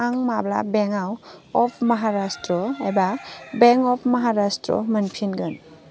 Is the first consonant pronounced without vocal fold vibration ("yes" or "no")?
no